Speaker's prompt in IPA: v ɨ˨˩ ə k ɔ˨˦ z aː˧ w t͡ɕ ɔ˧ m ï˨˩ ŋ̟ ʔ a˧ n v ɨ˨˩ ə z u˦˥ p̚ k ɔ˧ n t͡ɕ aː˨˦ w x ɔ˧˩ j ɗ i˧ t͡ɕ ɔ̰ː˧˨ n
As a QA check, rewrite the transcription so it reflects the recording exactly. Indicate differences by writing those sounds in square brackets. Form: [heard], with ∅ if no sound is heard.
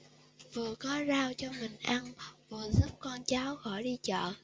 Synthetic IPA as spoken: v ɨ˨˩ ə k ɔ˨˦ z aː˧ w t͡ɕ ɔ˧ m ï˨˩ ŋ̟ ʔ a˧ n v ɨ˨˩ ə z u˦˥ p̚ k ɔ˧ n t͡ɕ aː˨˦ w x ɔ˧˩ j ɗ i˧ t͡ɕ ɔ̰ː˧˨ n